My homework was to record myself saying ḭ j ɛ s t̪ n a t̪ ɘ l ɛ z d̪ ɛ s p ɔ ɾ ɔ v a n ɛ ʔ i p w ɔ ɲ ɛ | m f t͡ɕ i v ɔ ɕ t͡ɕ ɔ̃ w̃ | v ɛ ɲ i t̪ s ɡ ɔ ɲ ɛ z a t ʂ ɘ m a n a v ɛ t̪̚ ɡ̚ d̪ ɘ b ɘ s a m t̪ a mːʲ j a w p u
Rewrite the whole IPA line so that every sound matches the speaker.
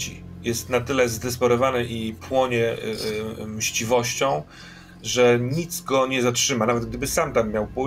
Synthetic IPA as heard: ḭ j ɛ s t̪ n a t̪ ɘ l ɛ z d̪ ɛ s p ɔ ɾ ɔ v a n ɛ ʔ i p w ɔ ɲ ɛ | m ɕ t͡ɕ i v ɔ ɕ t͡ɕ ɔ̃ w̃ | ʐ ɛ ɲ i t̪ s ɡ ɔ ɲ ɛ z a t ʂ ɘ m a n a v ɛ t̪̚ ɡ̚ d̪ ɘ b ɘ s a m t̪ a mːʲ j a w p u